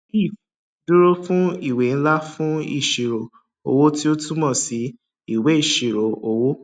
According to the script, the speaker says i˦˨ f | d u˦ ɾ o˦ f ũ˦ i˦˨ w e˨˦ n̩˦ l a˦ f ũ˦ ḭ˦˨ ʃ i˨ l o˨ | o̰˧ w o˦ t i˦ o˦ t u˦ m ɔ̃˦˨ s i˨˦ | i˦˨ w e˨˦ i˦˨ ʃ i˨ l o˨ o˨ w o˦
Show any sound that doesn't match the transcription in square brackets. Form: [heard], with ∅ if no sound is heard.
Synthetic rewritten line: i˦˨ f | d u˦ ɾ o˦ f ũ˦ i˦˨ w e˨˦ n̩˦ l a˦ f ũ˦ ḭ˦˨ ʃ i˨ [ɾ] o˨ | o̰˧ w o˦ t i˦ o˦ t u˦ m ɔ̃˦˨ s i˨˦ | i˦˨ w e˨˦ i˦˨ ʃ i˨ [ɾ] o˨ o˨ w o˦